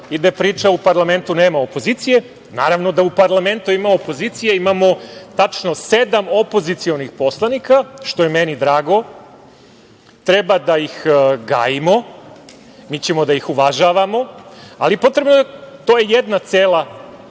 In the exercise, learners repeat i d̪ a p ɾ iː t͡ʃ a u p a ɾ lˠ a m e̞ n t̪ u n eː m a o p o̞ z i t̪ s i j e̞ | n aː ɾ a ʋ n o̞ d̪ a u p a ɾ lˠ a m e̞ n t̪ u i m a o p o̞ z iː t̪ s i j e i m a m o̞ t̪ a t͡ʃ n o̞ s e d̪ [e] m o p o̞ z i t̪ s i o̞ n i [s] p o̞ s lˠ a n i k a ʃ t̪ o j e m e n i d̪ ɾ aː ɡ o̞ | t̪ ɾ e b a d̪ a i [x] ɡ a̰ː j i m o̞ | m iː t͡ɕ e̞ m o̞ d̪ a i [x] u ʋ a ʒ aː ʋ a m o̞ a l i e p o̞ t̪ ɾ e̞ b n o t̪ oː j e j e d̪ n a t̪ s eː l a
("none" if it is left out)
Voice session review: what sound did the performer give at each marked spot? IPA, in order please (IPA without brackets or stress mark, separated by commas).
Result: a, x, x, x